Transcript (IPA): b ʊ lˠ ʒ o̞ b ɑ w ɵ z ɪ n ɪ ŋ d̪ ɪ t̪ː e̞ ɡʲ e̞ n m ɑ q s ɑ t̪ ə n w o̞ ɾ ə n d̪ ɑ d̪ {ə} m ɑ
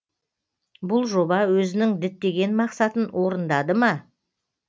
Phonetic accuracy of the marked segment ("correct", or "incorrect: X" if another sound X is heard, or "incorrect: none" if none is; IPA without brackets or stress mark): correct